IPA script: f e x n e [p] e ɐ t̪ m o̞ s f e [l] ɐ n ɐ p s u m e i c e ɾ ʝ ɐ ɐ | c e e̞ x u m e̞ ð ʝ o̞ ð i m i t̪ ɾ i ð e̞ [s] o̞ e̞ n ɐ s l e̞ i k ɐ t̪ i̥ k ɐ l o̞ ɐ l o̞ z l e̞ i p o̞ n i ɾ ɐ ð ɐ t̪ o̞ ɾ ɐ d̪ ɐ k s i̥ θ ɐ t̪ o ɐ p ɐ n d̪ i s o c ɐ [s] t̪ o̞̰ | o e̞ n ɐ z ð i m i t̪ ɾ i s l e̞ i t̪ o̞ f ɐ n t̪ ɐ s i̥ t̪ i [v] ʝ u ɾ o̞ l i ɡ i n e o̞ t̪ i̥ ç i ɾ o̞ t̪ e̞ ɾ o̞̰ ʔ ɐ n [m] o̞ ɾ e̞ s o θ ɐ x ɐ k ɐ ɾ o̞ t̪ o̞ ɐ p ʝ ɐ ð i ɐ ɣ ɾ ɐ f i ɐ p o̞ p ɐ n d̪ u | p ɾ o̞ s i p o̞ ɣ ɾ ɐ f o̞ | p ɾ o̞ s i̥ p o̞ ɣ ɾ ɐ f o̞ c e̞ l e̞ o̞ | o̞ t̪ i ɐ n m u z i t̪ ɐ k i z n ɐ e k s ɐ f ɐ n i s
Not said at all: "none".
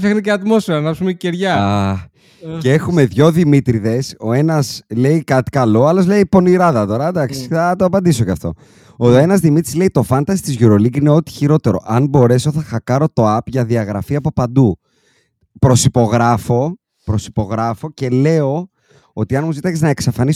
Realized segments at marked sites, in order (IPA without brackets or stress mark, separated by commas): c, ɾ, s, f, z, b